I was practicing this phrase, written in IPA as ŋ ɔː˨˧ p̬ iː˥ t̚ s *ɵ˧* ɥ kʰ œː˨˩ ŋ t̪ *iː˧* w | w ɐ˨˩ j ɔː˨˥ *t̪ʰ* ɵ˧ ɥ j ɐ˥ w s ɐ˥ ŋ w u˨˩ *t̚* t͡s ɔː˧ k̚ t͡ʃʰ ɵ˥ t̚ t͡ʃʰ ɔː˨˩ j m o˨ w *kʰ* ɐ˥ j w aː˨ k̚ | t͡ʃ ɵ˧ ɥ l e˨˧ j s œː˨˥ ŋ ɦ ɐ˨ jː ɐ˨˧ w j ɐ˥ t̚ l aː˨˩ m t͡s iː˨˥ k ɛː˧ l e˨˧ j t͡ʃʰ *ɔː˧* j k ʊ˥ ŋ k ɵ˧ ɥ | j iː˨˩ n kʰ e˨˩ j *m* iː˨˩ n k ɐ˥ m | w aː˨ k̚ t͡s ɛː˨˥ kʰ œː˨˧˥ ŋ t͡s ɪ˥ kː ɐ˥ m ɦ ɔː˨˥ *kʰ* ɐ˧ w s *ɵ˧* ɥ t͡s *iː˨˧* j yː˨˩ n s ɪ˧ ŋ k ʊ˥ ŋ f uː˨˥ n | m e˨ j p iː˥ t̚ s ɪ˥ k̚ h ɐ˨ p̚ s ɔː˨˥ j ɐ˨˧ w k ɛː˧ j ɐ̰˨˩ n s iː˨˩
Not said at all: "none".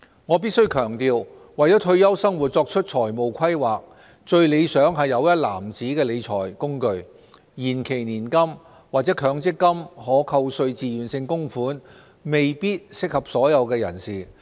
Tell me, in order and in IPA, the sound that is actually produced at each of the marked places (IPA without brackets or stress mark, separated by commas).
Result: ɵ˥, iː˧, t̪ʰ, t̚, kʰ, ɔː˨˩, n, kʰ, ɵ˧, iː˨˧